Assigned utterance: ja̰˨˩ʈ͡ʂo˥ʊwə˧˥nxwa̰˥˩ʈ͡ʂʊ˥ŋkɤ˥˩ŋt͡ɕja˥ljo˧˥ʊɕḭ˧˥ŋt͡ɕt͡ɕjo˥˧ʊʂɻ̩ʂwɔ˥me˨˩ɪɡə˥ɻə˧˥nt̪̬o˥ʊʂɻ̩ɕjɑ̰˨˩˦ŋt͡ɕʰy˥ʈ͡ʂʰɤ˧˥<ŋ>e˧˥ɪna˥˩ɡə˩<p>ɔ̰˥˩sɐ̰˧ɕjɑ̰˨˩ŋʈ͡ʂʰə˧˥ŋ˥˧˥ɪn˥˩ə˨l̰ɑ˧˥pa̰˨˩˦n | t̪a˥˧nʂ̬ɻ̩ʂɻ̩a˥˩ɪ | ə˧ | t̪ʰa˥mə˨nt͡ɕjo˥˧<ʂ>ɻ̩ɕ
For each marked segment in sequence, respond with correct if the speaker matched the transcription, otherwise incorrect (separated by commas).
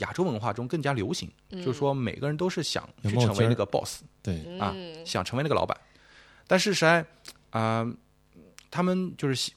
correct, correct, correct